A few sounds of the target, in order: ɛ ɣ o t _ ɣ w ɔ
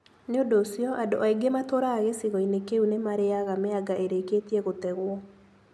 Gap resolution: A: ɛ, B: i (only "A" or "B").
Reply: A